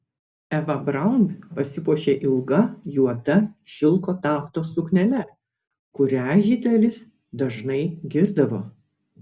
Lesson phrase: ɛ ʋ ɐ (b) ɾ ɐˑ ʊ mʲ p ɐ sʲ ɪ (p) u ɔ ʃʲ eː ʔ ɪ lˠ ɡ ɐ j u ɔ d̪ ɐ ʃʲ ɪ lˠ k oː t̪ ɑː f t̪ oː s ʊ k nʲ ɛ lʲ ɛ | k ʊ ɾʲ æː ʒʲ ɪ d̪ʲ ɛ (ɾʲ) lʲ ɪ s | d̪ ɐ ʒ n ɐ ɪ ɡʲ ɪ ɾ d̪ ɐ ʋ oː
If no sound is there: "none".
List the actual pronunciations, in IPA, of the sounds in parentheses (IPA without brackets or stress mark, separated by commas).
b, p, none